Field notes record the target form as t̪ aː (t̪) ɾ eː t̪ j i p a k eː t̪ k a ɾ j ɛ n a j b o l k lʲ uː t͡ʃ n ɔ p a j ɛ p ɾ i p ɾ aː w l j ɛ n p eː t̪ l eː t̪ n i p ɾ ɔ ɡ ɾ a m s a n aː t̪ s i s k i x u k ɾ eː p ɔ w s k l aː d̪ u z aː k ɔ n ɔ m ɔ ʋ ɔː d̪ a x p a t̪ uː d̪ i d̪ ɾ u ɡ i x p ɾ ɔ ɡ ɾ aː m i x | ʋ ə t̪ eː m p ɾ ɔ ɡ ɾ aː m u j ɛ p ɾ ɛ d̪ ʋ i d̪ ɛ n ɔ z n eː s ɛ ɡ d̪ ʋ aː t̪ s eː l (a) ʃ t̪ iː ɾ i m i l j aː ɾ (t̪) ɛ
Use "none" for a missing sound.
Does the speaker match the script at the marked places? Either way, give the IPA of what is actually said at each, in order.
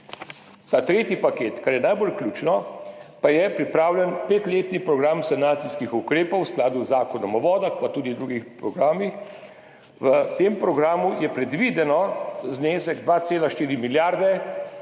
t̪, a, d̪

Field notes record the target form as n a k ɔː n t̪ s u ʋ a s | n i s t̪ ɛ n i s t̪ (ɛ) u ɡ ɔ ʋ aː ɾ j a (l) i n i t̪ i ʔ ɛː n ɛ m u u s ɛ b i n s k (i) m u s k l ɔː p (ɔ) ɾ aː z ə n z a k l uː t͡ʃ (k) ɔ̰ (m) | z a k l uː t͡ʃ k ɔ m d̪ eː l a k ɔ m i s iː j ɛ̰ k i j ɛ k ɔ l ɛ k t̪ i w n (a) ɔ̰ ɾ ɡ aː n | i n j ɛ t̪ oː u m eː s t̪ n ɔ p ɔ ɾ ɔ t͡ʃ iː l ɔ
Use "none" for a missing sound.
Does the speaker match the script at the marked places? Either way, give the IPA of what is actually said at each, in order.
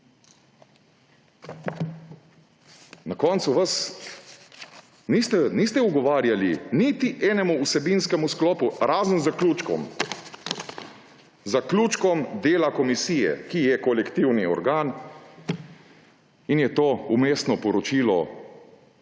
ɛ, l, ɛ, u, k, m, i

